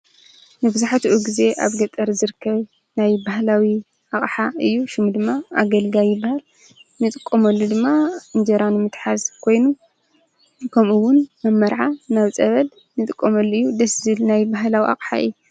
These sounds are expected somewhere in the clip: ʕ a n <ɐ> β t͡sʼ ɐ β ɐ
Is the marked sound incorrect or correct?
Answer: incorrect: a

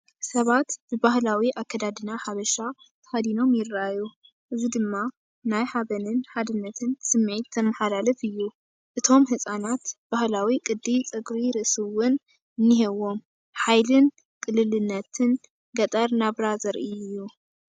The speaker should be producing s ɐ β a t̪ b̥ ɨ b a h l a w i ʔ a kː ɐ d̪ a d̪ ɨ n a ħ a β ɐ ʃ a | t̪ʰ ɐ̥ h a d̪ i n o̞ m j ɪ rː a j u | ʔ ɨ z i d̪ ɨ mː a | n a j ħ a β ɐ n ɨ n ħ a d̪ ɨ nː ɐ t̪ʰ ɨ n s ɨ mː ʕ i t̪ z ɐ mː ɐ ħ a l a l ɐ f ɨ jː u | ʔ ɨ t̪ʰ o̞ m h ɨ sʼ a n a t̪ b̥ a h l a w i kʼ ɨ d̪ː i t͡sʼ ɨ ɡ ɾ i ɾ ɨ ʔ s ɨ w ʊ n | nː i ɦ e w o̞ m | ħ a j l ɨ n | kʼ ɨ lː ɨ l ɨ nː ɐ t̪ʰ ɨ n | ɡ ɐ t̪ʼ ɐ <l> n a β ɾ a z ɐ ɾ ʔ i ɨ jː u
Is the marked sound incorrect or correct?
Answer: incorrect: ɾ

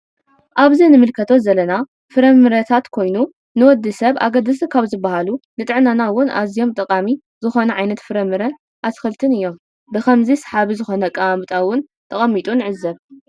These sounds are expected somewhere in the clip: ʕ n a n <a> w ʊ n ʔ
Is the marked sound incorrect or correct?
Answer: correct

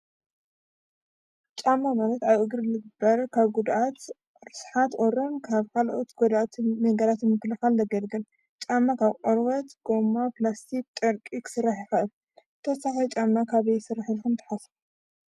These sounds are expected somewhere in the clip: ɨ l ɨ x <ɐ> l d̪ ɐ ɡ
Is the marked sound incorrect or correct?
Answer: incorrect: a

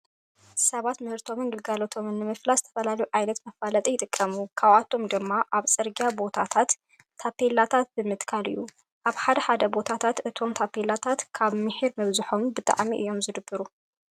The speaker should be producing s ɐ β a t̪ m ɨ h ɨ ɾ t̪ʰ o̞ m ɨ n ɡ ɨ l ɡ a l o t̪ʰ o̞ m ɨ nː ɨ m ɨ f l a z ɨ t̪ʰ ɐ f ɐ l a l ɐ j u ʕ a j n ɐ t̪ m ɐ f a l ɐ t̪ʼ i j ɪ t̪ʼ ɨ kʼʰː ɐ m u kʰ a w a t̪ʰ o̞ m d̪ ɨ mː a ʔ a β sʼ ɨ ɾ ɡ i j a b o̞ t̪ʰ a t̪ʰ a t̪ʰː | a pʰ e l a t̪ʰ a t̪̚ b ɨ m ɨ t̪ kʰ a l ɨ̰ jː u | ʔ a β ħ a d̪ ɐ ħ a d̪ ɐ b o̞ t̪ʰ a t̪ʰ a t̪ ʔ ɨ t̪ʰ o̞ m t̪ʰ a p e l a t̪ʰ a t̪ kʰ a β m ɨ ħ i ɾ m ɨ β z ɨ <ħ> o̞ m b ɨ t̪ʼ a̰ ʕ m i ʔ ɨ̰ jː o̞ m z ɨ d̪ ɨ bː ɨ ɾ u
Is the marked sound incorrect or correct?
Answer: correct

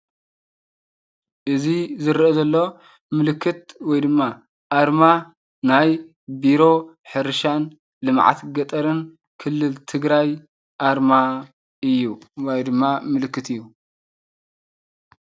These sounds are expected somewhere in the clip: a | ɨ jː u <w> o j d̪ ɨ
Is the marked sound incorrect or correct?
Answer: correct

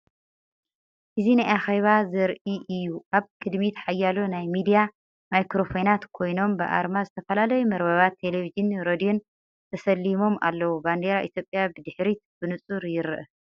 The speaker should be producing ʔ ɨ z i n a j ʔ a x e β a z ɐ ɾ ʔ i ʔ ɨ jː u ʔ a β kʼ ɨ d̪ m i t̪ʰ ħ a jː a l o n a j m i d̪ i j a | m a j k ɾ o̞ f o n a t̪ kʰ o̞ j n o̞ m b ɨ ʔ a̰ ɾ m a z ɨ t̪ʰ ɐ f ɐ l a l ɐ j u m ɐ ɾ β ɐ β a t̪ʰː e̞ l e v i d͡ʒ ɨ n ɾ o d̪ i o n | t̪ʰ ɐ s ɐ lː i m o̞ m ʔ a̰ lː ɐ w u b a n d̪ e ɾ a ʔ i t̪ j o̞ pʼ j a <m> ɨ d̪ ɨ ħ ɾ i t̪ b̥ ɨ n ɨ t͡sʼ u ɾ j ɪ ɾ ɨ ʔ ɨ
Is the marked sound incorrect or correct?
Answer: incorrect: b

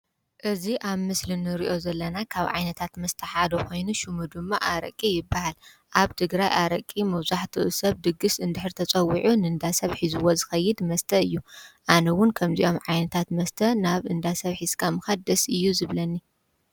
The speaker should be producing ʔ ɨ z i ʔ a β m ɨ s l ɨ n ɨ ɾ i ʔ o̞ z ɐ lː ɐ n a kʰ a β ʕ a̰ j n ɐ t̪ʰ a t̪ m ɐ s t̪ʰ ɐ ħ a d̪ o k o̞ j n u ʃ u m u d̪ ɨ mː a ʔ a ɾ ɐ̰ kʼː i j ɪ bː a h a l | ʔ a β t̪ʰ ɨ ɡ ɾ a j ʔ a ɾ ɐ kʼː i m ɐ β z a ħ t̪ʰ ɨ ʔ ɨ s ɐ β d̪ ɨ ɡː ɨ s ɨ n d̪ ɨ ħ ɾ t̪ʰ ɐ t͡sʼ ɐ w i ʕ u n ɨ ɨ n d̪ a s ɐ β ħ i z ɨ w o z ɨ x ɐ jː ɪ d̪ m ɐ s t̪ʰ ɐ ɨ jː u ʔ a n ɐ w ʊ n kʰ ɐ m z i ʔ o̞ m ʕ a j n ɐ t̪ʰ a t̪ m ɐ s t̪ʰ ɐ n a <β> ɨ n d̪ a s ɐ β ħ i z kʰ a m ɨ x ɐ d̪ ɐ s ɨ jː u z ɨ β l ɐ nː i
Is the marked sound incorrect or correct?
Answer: correct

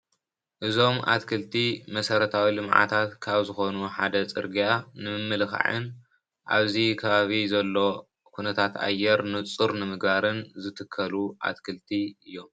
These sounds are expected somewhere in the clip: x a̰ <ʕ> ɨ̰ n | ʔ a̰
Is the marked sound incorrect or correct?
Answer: correct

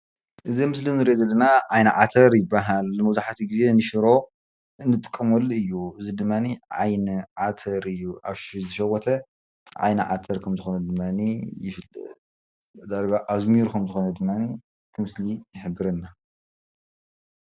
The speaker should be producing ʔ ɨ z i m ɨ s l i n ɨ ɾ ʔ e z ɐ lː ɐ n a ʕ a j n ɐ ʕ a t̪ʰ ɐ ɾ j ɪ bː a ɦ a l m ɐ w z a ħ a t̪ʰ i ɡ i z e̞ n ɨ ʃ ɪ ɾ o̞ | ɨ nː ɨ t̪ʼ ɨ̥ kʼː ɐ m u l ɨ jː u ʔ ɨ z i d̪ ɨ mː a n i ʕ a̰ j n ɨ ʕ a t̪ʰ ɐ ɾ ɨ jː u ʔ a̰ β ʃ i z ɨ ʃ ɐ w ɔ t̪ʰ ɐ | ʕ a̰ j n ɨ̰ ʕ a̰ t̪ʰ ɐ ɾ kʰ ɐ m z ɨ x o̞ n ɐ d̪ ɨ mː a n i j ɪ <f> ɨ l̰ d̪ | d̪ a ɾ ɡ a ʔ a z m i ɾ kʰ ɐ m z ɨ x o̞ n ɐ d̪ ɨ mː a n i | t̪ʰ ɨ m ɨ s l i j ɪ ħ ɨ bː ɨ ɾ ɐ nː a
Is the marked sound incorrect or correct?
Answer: correct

